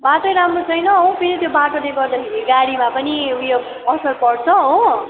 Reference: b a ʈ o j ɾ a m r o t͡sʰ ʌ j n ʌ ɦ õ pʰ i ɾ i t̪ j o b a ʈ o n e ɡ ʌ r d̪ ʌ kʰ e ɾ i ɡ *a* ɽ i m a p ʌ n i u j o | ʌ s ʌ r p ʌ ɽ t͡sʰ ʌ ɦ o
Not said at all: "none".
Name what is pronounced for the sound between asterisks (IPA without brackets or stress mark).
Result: a